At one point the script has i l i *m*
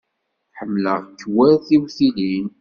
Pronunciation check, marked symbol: incorrect: n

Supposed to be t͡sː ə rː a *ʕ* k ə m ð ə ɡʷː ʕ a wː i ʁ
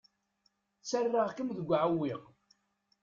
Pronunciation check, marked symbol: incorrect: ʁ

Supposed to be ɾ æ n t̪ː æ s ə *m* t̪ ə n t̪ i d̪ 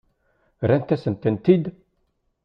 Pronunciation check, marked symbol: incorrect: n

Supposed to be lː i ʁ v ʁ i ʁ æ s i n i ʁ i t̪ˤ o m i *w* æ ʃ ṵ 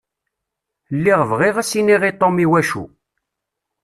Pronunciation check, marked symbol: correct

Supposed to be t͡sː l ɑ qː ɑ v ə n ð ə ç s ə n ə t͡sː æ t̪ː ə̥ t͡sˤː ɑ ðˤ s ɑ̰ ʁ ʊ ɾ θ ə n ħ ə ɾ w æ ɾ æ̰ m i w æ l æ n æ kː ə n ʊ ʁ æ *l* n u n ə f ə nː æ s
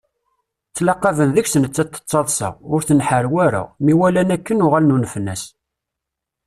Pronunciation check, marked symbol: correct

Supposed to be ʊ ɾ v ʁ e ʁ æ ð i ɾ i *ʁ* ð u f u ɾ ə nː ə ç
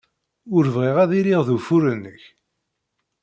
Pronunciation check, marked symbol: correct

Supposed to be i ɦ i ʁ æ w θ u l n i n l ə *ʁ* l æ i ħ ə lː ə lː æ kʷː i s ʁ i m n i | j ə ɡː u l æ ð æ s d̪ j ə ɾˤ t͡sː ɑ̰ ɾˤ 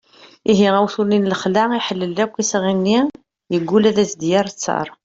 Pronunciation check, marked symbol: incorrect: χ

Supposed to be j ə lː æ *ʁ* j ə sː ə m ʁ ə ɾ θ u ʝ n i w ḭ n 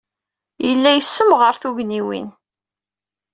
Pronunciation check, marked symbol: incorrect: none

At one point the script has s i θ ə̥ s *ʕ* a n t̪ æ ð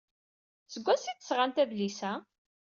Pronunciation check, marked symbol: incorrect: ʁ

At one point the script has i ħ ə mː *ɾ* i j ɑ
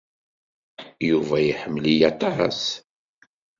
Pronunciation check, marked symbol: incorrect: l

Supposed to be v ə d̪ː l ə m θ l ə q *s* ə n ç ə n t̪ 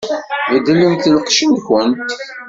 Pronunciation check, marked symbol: incorrect: ʃ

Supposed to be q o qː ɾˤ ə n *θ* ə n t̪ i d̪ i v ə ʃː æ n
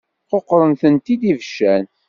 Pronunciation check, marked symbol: correct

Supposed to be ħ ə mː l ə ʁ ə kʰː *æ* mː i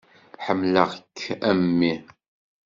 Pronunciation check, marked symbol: correct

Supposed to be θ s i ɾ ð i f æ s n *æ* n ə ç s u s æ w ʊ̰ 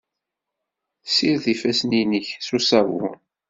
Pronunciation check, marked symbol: incorrect: i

